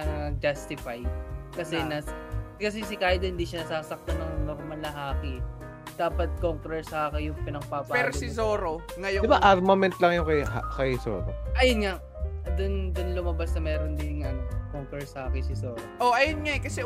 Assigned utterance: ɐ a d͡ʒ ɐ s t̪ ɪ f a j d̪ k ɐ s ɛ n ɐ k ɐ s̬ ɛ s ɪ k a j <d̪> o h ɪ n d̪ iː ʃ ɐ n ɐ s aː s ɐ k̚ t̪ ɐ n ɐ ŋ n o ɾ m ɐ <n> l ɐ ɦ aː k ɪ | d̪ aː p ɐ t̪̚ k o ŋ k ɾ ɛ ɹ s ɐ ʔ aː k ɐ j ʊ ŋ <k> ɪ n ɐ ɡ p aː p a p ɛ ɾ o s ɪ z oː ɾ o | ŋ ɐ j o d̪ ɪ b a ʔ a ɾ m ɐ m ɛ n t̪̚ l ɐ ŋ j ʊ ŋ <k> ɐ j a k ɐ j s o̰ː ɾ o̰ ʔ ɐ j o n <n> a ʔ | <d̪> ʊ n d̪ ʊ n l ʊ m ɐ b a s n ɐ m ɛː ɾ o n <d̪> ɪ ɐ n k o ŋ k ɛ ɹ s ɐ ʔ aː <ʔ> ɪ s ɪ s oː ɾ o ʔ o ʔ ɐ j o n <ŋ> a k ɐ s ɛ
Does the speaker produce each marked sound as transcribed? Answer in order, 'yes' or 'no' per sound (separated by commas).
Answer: yes, yes, no, yes, no, yes, yes, no, yes